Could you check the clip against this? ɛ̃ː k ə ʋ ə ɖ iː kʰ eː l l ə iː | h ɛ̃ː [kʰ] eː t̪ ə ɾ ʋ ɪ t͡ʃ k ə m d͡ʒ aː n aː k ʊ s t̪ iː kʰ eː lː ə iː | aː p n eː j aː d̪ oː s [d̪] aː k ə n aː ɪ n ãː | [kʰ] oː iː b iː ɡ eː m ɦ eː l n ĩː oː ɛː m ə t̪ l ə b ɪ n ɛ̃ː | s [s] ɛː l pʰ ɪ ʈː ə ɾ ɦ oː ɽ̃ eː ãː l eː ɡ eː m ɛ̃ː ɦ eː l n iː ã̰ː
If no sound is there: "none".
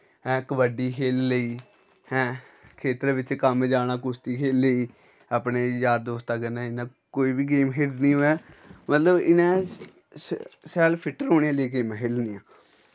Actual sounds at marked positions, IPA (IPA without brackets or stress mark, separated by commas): kʰ, t̪, k, s